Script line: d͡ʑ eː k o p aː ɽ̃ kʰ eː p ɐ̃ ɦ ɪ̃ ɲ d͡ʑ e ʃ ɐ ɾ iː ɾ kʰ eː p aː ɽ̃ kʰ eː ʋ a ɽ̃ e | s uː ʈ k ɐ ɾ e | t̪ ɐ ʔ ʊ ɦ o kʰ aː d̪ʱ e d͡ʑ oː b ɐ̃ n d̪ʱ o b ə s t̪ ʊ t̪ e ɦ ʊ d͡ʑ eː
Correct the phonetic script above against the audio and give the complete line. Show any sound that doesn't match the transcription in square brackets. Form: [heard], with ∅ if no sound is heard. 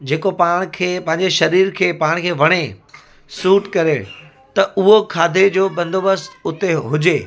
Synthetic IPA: d͡ʑ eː k o p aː ɽ̃ kʰ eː p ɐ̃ ɦ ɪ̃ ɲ d͡ʑ e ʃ ɐ ɾ iː ɾ kʰ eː p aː ɽ̃ kʰ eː ʋ [ɐ] ɽ̃ e | s uː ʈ k ɐ ɾ e | t̪ ɐ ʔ ʊ ɦ o kʰ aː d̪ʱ e d͡ʑ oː b ɐ̃ n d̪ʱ o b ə s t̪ ʊ t̪ e ɦ ʊ d͡ʑ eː

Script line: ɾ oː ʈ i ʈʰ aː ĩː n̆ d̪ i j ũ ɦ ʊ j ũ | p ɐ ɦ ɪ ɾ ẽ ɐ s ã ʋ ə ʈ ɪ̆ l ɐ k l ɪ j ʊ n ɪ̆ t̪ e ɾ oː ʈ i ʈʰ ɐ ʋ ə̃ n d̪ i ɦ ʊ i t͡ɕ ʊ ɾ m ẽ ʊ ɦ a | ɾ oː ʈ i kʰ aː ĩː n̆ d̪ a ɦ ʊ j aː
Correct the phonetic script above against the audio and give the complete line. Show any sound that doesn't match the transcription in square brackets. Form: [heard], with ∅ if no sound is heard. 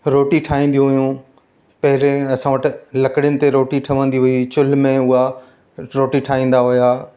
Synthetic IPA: ɾ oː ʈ i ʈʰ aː ĩː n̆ d̪ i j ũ ɦ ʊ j ũ | p ɐ ɦ ɪ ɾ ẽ ɐ s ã ʋ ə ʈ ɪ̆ l ɐ k [ɽ] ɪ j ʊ n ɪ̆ t̪ e ɾ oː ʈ i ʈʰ ɐ ʋ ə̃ n d̪ i ɦ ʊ i t͡ɕ ʊ [l] m ẽ ʊ ɦ a | ɾ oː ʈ i [ʈʰ] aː ĩː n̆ d̪ a ɦ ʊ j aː

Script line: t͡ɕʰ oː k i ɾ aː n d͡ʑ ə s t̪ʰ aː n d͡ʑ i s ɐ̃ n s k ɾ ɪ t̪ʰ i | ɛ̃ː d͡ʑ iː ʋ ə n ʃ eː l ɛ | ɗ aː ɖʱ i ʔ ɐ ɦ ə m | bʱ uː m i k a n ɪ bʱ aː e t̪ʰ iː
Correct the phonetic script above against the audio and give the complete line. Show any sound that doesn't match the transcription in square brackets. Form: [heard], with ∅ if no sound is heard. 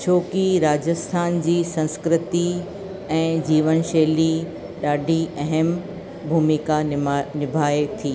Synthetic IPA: t͡ɕʰ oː k i ɾ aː [∅] d͡ʑ ə s t̪ʰ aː n d͡ʑ [iː] s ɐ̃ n s k ɾ ɪ [t̪] i | ɛ̃ː d͡ʑ iː ʋ ə n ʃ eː l [i] | ɗ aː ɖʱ i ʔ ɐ ɦ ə m | bʱ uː m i k a n ɪ bʱ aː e t̪ʰ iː

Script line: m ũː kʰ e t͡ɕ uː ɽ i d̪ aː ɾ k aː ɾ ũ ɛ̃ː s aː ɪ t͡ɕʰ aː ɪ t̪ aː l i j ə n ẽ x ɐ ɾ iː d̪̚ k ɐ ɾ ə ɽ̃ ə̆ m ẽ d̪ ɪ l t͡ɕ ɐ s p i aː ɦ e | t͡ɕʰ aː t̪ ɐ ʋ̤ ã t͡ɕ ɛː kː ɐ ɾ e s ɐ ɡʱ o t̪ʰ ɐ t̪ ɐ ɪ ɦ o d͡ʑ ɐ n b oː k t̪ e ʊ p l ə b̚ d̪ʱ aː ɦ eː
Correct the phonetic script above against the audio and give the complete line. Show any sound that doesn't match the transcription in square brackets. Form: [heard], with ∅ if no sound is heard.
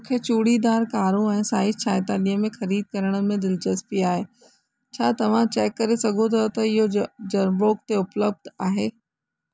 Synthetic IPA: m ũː kʰ e t͡ɕ uː ɽ i d̪ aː ɾ k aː ɾ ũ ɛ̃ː s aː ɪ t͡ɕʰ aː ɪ t̪ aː l i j ə [m] ẽ x ɐ ɾ iː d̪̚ k ɐ ɾ ə ɽ̃ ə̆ m ẽ d̪ ɪ l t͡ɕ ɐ s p i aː ɦ e | t͡ɕʰ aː t̪ ɐ ʋ̤ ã t͡ɕ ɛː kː ɐ ɾ e s ɐ ɡʱ o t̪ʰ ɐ t̪ ɐ ɪ ɦ o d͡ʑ ɐ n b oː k t̪ e ʊ p l ə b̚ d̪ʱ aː ɦ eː

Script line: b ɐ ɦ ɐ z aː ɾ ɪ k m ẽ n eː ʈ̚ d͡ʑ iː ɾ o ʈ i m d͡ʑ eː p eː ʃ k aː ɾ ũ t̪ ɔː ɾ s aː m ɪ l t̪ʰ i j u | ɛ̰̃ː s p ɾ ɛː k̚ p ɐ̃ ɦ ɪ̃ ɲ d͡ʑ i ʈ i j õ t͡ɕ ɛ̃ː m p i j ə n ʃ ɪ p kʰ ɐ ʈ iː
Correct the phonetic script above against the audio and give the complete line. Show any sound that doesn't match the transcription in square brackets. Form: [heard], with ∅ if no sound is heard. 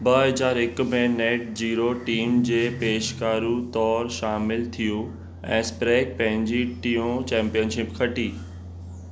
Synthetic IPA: b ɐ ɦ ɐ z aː ɾ ɪ k m ẽ n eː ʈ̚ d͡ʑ iː ɾ o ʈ [iː] m d͡ʑ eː p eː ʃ k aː ɾ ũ t̪ ɔː ɾ [ʃ] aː m ɪ l t̪ʰ i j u | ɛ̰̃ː s p ɾ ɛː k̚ p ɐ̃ ɦ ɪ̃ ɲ d͡ʑ i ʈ i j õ t͡ɕ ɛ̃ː m p i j ə n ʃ ɪ p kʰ ɐ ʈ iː

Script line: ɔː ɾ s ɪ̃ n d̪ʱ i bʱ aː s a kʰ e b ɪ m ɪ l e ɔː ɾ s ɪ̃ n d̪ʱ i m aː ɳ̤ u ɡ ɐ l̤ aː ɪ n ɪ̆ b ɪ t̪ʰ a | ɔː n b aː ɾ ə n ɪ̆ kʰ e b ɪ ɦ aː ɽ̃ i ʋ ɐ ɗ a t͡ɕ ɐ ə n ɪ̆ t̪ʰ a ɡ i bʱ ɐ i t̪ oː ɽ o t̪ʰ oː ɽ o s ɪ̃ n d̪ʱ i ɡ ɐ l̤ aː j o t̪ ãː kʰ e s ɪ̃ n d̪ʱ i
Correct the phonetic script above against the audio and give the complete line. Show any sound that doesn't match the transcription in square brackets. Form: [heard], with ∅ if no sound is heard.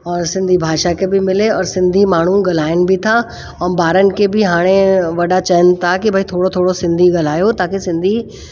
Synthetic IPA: ɔː ɾ s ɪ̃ n d̪ʱ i bʱ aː [ʃ] a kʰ e b ɪ m ɪ l e ɔː ɾ s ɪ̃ n d̪ʱ i m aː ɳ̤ u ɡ ɐ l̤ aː ɪ n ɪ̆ b ɪ t̪ʰ a | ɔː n b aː ɾ ə n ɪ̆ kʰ e b ɪ ɦ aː ɽ̃ [e] ʋ ɐ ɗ a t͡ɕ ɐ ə n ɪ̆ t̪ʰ a [k] i bʱ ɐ i [t̪ʰ] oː ɽ o t̪ʰ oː ɽ o s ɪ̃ n d̪ʱ i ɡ ɐ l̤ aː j o t̪ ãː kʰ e s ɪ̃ n d̪ʱ i

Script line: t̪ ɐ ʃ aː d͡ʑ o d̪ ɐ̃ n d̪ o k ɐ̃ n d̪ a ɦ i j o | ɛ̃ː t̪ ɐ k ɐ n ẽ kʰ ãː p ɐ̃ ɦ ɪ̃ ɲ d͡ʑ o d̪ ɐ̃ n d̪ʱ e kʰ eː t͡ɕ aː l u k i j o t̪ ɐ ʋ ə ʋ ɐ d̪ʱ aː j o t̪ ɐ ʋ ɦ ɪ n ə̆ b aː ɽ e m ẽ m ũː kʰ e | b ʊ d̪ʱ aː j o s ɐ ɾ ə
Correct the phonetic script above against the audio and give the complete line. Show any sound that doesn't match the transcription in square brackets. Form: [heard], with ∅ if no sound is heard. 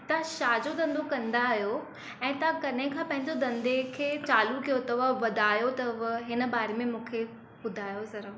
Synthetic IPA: t̪ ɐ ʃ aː d͡ʑ o d̪ ɐ̃ n d̪ o k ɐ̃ n d̪ a ɦ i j o | ɛ̃ː t̪ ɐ k ɐ n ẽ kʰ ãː p ɐ̃ ɦ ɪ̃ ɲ d͡ʑ o d̪ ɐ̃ n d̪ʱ e kʰ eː t͡ɕ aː l u k i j o t̪ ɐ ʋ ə ʋ ɐ d̪ʱ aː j o t̪ ɐ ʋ ɦ ɪ n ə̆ b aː [ɾ] e m ẽ m ũː kʰ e | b ʊ d̪ʱ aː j o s ɐ ɾ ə

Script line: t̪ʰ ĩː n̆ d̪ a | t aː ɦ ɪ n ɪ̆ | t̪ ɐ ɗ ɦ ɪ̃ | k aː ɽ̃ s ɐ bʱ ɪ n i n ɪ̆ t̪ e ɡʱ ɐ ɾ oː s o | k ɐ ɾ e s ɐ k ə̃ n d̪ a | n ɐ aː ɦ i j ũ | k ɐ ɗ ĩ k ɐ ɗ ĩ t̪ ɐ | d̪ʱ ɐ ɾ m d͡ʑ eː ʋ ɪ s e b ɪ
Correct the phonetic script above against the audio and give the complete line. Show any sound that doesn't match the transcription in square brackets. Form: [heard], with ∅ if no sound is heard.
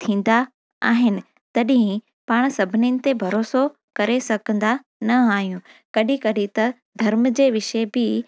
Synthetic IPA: t̪ʰ ĩː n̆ d̪ a | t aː ɦ ɪ n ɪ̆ | t̪ ɐ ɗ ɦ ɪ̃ | [p] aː ɽ̃ s ɐ bʱ ɪ n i n ɪ̆ t̪ e [bʱ] ɐ ɾ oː s o | k ɐ ɾ e s ɐ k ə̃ n d̪ a | n ɐ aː ɦ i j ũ | k ɐ ɗ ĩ k ɐ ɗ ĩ t̪ ɐ | d̪ʱ ɐ ɾ m d͡ʑ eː ʋ ɪ [ʃ] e b ɪ

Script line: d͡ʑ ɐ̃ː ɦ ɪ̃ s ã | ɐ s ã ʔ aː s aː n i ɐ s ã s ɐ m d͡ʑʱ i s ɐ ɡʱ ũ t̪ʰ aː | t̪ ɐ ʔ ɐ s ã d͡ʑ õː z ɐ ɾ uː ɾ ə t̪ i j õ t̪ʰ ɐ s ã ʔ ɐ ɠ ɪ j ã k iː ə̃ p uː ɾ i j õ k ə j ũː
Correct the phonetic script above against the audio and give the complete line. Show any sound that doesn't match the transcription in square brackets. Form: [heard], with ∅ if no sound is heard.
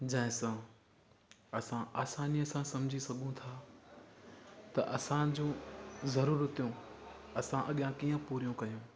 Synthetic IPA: d͡ʑ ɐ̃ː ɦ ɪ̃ s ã | ɐ s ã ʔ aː s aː n i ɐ s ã s ɐ m d͡ʑʱ i s ɐ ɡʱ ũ t̪ʰ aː | t̪ ɐ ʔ ɐ s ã d͡ʑ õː z ɐ ɾ uː ɾ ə t̪ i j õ [∅] ɐ s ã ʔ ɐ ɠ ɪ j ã k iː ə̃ p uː ɾ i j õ k [ɐ] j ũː

